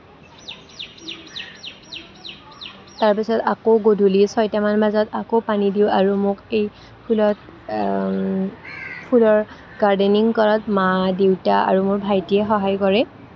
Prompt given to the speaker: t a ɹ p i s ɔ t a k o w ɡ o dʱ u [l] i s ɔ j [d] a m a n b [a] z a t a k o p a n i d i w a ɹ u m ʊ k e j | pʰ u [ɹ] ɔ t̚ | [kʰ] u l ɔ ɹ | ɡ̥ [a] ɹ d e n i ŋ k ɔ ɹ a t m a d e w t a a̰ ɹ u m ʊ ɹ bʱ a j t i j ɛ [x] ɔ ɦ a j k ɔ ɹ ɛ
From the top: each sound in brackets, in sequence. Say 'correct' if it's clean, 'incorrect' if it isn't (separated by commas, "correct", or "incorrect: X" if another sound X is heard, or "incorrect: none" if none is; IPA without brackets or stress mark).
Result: correct, incorrect: t, correct, incorrect: l, incorrect: pʰ, correct, correct